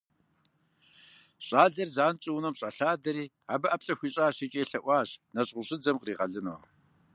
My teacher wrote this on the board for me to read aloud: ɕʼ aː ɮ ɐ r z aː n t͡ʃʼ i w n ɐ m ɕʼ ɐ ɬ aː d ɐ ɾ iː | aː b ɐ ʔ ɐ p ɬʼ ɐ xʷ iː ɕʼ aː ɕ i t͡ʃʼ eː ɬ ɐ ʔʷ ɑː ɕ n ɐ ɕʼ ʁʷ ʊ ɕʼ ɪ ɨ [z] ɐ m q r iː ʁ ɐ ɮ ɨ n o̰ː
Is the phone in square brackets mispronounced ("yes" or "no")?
yes